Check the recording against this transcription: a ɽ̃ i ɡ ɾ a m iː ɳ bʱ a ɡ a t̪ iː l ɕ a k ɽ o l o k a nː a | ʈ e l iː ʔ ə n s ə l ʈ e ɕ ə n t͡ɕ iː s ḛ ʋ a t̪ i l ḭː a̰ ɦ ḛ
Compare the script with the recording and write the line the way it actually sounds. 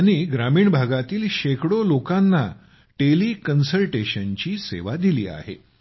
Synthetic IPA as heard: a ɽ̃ i ɡ ɾ a m iː ɳ bʱ a ɡ a t̪ iː l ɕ e k ɽ o l o k a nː a | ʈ e l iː k ə n s ə l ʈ e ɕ ə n t͡ɕ iː s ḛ ʋ a d̪ i l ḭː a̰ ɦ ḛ

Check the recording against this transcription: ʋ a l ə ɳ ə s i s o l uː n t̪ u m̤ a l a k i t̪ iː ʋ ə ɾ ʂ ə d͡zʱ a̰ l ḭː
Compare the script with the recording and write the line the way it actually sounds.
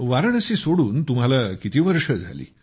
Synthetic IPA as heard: ʋ a ɾ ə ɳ ə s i s o ɽ uː n t̪ u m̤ a l a k i t̪ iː ʋ ə ɾ ʂ ə d͡zʱ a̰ l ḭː

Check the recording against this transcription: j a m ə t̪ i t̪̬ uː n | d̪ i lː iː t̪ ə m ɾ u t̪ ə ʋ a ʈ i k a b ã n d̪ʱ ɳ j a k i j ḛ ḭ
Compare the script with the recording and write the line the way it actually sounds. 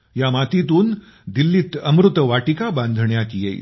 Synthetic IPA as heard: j a m a t̪ i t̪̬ uː n | d̪ i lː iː t̪ ə m ɾ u t̪ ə ʋ a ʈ i k a b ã n d̪ʱ ɳ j a k i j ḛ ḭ

